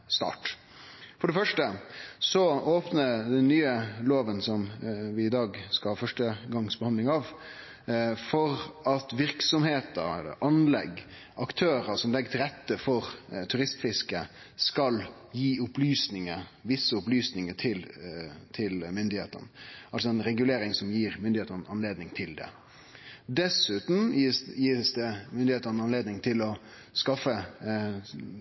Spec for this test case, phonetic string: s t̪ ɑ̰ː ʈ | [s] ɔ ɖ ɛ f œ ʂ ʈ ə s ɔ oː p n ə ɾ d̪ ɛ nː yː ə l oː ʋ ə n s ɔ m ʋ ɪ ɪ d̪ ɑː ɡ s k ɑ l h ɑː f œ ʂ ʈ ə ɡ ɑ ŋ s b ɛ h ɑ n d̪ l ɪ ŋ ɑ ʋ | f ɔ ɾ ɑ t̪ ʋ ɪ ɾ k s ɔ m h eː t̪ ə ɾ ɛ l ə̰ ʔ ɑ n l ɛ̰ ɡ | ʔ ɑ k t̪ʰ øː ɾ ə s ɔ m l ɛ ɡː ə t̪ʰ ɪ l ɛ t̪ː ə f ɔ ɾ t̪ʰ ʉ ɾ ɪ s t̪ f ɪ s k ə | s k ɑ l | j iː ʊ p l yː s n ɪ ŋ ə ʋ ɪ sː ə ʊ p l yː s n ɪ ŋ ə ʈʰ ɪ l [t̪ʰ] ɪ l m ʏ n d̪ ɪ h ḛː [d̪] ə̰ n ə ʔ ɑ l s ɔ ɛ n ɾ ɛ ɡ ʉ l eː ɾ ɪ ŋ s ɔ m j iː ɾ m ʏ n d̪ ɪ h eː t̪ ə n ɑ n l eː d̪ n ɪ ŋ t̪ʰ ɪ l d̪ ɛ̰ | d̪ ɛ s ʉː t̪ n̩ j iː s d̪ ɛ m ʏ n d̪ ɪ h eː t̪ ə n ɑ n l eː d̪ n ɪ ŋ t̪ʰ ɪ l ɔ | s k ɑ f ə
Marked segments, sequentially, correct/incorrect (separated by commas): incorrect, correct, incorrect